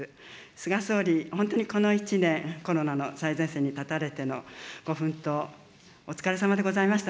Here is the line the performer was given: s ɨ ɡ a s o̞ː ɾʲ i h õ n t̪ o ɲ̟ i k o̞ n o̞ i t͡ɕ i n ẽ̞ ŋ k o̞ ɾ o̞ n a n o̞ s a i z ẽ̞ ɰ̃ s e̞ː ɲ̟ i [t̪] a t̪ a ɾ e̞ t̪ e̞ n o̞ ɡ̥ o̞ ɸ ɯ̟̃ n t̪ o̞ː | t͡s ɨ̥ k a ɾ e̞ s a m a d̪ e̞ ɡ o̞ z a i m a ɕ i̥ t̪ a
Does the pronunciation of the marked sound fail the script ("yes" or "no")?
no